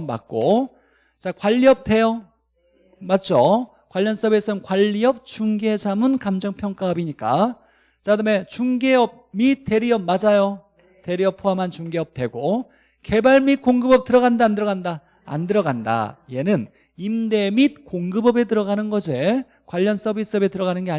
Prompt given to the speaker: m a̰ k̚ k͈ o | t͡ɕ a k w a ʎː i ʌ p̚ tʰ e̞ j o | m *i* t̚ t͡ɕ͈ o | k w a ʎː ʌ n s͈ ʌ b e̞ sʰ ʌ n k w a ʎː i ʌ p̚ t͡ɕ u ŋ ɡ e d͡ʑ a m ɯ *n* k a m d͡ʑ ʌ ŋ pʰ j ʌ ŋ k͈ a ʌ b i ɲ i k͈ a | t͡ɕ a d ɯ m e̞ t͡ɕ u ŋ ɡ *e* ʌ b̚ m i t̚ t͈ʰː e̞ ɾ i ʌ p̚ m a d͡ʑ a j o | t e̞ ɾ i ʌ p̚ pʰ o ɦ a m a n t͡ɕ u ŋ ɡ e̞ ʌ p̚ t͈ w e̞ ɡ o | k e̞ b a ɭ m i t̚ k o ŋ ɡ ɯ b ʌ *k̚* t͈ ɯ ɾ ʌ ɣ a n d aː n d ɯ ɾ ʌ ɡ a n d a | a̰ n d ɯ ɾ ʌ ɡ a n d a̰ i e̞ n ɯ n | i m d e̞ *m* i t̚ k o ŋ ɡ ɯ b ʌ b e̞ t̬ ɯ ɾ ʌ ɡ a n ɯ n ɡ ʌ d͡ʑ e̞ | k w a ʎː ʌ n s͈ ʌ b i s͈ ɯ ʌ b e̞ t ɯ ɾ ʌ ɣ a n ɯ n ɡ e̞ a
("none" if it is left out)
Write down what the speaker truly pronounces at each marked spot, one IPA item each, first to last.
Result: a, n, e, p̚, m

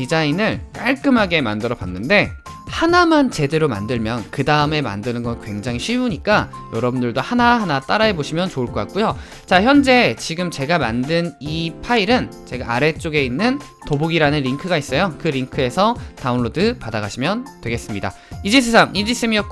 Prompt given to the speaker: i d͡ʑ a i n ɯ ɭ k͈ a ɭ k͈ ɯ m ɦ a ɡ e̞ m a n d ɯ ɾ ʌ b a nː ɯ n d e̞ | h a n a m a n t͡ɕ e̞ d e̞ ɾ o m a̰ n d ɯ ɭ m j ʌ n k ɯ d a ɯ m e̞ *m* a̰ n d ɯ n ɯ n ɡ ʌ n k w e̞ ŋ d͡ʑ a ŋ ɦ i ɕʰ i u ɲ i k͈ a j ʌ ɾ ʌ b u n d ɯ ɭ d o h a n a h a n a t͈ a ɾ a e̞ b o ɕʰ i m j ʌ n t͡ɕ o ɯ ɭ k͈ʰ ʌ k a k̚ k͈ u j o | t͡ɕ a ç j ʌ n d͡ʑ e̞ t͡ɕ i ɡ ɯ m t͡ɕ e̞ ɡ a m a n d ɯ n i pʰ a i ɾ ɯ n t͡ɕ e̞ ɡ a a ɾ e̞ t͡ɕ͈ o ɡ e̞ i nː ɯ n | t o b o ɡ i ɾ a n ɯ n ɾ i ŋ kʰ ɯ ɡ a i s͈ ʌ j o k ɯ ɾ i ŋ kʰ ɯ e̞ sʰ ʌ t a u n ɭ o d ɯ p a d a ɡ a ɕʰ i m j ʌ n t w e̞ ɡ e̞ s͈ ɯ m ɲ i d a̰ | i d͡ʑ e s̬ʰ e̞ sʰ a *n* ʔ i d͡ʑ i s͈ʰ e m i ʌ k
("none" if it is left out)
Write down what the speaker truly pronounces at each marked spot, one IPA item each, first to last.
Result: m, ŋ

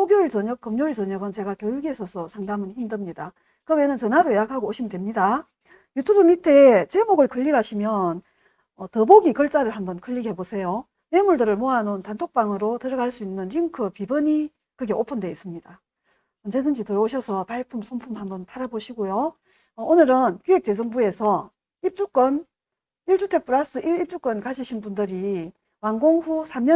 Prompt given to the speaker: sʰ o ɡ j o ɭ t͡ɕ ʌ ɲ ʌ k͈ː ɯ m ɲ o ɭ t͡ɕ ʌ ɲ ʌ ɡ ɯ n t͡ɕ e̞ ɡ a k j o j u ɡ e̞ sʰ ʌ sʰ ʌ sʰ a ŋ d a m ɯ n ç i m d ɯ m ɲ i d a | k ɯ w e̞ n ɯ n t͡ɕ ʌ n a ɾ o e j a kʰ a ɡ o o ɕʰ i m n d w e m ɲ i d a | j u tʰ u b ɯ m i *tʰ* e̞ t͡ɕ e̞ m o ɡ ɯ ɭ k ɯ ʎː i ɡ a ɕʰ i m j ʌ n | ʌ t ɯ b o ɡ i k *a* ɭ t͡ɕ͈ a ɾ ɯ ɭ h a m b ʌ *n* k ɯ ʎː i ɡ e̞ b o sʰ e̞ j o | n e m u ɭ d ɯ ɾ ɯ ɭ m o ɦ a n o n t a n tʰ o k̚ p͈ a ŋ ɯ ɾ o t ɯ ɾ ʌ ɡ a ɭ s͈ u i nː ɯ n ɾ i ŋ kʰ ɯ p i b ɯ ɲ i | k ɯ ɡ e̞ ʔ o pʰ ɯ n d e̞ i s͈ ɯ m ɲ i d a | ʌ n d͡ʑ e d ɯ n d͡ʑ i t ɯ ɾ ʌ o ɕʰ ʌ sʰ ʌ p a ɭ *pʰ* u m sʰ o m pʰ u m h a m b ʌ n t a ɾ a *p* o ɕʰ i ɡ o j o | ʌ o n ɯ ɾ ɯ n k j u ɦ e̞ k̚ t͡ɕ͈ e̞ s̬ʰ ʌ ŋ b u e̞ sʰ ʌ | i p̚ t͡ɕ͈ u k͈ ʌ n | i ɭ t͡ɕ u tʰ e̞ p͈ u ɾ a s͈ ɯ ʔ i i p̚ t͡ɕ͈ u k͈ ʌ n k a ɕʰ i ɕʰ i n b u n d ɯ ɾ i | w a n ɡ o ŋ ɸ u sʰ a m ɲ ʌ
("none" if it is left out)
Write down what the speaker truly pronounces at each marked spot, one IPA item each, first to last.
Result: tʰ, ʌ, n, pʰ, b

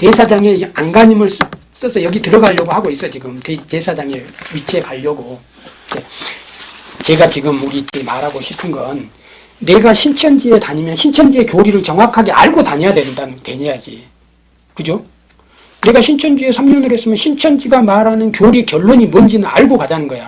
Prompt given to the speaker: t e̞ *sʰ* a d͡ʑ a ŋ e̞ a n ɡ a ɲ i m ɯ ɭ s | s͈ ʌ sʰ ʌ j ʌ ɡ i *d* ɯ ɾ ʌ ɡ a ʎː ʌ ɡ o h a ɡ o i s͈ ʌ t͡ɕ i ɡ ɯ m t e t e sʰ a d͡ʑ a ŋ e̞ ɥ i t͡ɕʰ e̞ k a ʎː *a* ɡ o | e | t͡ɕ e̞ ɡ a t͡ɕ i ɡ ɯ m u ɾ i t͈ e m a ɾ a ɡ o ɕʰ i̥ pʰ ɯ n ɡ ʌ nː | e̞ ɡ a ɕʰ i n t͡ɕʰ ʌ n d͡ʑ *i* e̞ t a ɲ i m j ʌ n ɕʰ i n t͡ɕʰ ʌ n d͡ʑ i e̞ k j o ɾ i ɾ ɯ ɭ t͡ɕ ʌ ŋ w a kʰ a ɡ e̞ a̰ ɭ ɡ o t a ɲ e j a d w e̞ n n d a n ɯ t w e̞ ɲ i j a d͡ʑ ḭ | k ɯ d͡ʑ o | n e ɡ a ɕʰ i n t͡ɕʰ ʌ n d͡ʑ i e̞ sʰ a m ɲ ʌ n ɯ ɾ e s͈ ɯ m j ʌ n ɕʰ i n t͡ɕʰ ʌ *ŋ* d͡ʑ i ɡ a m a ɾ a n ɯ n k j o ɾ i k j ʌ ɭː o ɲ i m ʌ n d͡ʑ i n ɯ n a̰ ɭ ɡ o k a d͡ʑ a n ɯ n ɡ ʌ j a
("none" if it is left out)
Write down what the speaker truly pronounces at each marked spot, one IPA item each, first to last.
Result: sʰ, t, ʌ, i, n

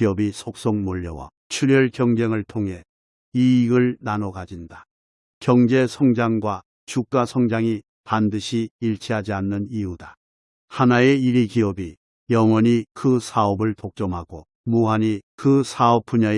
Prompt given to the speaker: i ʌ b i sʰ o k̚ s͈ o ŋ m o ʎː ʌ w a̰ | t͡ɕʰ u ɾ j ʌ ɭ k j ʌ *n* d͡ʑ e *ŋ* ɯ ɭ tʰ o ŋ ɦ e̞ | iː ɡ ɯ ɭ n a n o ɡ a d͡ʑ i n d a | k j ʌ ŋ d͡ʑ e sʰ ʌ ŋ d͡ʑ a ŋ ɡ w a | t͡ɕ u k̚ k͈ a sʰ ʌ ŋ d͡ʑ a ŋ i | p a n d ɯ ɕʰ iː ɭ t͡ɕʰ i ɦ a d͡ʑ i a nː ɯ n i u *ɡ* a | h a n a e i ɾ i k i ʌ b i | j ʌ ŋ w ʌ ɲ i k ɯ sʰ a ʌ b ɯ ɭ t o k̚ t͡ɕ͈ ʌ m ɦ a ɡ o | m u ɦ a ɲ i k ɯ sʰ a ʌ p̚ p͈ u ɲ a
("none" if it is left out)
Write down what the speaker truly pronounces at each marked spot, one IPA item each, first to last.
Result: ŋ, ŋ, d

